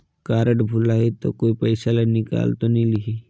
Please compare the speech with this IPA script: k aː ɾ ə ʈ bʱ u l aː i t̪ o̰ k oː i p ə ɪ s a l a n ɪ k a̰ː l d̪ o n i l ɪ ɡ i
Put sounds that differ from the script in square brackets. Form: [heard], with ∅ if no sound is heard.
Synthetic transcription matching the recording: k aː ɾ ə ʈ bʱ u l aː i t̪ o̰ k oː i p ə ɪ s a l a n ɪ k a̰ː l [t̪] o n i l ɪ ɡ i